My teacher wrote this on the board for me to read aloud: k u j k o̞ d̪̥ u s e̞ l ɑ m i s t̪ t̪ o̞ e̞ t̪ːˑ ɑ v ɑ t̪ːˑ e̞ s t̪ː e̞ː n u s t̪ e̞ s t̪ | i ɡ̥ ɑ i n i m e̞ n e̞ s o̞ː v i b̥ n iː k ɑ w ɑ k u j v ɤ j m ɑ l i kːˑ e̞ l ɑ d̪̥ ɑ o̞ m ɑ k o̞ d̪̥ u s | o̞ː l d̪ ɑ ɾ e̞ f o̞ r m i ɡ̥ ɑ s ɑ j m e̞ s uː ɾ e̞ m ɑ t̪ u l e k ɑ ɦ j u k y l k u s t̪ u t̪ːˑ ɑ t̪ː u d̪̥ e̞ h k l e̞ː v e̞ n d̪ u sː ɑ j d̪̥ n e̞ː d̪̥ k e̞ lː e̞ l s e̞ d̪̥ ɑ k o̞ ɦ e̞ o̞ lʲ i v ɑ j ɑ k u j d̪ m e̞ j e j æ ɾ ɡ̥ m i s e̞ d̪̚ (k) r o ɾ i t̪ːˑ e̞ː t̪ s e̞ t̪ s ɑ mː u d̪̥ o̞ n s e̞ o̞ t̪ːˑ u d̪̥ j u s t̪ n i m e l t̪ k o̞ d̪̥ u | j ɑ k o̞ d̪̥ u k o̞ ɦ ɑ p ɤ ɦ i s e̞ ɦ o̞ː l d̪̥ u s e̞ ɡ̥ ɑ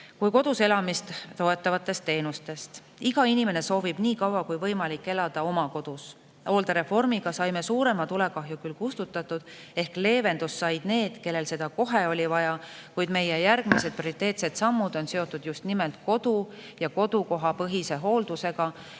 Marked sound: incorrect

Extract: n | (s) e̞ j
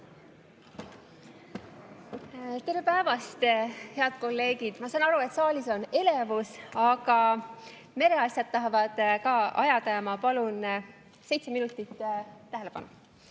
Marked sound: correct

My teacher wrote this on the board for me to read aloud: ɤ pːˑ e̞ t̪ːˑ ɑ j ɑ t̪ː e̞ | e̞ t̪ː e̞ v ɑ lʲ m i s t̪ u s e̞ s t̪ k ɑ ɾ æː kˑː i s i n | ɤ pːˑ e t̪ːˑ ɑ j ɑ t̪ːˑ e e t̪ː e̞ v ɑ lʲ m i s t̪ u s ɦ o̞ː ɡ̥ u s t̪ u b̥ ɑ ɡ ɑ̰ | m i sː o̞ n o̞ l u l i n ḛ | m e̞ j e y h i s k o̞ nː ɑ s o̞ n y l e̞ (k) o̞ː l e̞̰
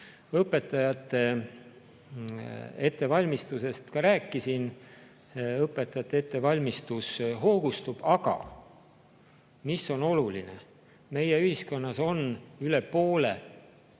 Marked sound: incorrect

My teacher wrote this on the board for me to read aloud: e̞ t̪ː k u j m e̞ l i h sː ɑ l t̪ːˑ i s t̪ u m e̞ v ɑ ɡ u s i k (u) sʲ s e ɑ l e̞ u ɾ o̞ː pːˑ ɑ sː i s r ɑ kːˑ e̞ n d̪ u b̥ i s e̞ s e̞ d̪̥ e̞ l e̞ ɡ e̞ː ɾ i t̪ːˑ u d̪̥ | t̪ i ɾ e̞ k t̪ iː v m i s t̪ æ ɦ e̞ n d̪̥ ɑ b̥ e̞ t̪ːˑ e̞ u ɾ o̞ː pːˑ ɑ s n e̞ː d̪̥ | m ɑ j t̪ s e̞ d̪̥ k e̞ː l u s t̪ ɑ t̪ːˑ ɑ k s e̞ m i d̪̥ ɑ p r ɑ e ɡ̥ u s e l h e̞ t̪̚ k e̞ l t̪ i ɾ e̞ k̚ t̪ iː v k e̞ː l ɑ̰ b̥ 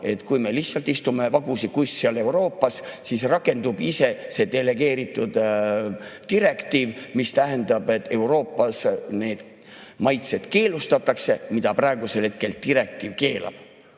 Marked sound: correct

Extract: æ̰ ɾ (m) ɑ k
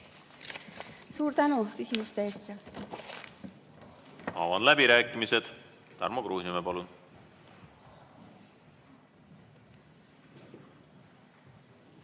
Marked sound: correct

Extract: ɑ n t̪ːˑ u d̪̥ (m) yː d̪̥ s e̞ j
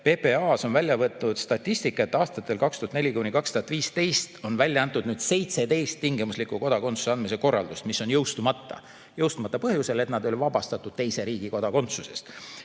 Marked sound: incorrect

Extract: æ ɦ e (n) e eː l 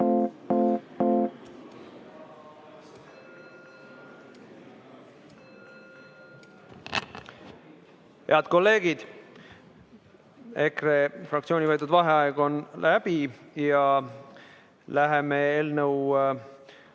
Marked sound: incorrect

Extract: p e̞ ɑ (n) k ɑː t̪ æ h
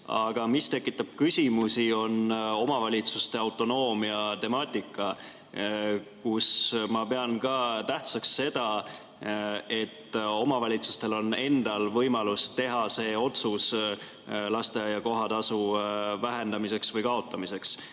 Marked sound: correct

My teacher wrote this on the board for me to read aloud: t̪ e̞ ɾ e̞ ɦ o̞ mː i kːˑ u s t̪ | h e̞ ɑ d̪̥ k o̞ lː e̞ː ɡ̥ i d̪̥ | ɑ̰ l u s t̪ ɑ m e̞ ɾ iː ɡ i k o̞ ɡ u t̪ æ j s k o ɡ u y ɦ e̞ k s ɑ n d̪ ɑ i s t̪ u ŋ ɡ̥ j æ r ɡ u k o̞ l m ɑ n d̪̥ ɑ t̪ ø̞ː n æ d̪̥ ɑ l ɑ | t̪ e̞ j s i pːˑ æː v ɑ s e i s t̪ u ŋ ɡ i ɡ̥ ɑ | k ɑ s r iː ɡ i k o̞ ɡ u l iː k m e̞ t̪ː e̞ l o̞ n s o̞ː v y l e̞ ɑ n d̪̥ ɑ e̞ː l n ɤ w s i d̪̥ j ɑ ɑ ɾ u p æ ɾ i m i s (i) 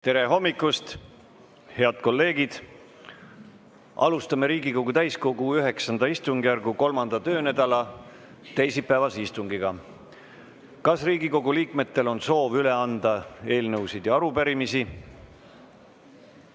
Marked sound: correct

